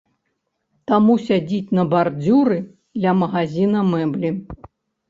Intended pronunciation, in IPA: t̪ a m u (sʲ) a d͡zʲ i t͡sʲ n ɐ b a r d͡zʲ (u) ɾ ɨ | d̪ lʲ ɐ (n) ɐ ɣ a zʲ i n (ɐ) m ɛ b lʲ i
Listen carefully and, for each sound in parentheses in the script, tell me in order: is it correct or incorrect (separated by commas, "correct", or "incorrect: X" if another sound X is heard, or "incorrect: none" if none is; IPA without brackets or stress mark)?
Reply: correct, correct, incorrect: m, correct